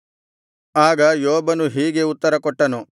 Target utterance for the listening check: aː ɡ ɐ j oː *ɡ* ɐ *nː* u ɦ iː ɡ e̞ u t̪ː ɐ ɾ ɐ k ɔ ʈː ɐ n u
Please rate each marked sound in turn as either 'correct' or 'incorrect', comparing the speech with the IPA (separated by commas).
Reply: incorrect, incorrect